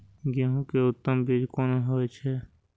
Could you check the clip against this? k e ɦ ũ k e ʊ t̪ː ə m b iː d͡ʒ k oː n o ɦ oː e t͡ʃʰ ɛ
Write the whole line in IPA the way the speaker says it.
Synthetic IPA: ɡ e ɦ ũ k e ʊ t̪ː ə m b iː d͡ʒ k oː n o ɦ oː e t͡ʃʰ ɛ

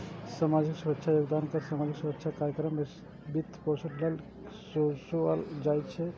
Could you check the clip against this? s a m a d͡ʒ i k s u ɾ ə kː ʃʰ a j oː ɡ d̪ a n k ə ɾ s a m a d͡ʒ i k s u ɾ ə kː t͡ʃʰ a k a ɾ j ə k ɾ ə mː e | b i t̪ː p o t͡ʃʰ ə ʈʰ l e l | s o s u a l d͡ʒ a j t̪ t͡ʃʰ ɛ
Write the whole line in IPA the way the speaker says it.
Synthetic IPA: s a m a d͡ʒ i k s u ɾ ə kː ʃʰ a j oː ɡ d̪ a n k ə ɾ s a m a d͡ʒ i k s u ɾ ə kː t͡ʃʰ a k a ɾ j ə k ɾ ə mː e | b i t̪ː p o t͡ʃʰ ə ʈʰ l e l | s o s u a l d͡ʒ a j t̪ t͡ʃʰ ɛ

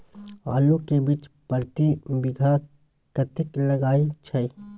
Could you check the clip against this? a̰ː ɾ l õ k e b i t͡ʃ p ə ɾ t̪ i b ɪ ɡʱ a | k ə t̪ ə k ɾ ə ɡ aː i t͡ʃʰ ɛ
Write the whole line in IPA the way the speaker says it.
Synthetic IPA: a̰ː l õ k e b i t͡ʃ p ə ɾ t̪ i b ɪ ɡʱ a | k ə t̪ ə k l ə ɡ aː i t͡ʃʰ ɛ

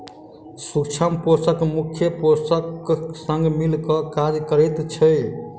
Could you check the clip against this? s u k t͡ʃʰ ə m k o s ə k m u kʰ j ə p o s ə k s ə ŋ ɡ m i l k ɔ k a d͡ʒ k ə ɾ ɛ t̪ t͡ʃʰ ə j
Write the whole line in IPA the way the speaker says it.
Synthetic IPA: s u k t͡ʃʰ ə m p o s ə k m u kʰ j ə p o s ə k s ə ŋ ɡ m i l k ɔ k a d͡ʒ k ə ɾ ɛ t̪ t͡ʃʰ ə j

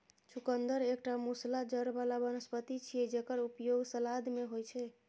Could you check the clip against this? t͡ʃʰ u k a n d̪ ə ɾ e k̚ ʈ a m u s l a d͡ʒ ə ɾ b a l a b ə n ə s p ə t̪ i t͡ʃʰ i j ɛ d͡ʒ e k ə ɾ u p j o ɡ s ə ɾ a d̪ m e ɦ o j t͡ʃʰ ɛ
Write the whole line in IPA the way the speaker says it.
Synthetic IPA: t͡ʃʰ u k ə n d̪ ə ɾ e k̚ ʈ a m u s l a d͡ʒ ə ɾ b a l a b ə n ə s p ə t̪ i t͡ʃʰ i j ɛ d͡ʒ e k ə ɾ u p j o ɡ s ə l a d̪ m e ɦ o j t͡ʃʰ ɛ

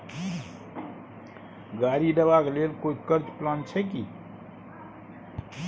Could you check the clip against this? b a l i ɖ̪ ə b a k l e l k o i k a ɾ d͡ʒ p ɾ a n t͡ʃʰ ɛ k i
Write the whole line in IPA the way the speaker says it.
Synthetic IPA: ɡ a ɾ i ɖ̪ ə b a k l e l k o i k ə ɾ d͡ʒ p l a n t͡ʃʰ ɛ k i

